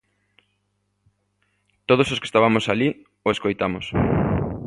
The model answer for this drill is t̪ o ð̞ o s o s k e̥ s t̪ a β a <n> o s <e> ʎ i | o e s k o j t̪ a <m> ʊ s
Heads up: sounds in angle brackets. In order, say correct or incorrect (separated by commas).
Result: incorrect, incorrect, correct